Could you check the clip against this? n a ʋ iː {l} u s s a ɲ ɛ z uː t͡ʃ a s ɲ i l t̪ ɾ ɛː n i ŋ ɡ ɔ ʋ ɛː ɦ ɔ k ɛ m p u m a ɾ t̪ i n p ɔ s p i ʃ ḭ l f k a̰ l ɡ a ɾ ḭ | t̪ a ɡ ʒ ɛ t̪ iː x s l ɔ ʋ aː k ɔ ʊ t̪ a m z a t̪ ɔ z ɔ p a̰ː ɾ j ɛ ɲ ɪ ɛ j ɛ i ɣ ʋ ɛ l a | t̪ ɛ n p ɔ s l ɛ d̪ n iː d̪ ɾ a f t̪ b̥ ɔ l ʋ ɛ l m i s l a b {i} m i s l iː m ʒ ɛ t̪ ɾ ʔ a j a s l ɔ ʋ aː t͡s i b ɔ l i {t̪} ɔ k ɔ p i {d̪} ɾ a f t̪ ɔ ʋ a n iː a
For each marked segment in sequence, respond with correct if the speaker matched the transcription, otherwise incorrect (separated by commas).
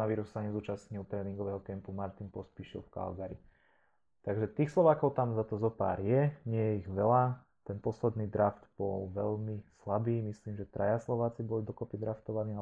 incorrect, incorrect, incorrect, correct